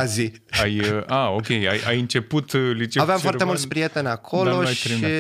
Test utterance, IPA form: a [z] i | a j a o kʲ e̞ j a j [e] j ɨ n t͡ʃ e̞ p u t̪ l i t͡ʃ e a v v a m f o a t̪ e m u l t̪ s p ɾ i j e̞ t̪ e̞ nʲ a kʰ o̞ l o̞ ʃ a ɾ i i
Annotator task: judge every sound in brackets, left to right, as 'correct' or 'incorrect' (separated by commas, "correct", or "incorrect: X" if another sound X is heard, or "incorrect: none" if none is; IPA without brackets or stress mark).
correct, incorrect: a